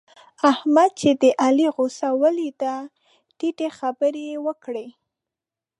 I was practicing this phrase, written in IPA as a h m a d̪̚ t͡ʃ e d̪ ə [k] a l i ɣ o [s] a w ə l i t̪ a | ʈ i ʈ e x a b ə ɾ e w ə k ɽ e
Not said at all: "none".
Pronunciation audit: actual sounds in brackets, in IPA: ʔ, s

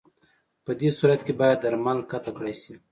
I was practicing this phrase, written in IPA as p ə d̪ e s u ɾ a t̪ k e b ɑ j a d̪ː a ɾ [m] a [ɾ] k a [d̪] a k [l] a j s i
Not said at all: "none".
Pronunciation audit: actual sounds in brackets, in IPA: m, l, t̪, ɽ

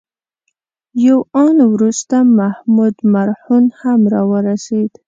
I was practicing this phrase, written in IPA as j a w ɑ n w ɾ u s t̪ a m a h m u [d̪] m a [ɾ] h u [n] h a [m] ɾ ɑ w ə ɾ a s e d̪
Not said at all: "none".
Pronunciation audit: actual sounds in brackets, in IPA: d̪, ɾ, n, m

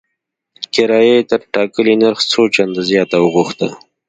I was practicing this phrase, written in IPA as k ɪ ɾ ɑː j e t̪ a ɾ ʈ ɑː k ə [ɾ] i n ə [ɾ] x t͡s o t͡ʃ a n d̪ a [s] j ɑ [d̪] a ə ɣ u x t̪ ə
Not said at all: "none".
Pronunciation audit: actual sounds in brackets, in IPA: l, ɾ, z, t̪

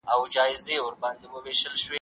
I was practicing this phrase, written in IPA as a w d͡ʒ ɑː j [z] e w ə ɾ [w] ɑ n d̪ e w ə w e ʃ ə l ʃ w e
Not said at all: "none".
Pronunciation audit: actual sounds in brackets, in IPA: z, b

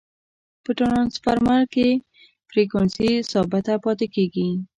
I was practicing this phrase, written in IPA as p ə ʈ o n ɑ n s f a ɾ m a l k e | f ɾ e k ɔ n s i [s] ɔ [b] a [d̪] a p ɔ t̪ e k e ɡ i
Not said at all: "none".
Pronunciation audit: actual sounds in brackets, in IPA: s, b, t̪

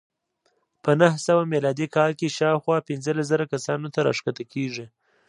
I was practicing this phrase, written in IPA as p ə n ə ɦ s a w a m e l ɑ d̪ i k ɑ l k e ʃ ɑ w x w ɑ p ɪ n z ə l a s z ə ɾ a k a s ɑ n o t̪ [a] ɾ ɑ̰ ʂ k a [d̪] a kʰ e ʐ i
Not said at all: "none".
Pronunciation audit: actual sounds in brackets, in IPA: a, t̪

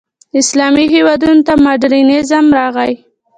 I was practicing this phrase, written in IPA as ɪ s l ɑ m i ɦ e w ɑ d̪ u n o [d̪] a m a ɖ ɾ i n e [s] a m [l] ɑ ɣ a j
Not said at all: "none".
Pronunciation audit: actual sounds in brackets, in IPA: t̪, z, ɾ

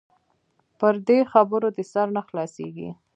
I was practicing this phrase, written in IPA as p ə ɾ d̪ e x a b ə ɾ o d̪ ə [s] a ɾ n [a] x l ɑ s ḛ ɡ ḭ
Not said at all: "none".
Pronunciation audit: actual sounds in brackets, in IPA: s, a

